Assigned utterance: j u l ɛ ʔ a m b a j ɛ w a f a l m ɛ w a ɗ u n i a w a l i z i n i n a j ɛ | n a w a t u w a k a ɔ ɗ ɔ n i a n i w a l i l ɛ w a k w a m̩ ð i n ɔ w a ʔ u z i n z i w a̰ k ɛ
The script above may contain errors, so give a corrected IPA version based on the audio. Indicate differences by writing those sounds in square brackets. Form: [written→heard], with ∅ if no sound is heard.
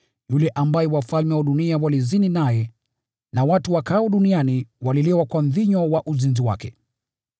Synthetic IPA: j u l ɛ ʔ a m b a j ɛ w a f a l m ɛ w a ɗ u n i a w a l i z i n i n a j ɛ | n a w a t u w a k a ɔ ɗ [ɔ→u] n i a n i w a l i l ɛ w a k w a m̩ ð i [n→ɲ] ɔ w a ʔ u z i n z i w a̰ k ɛ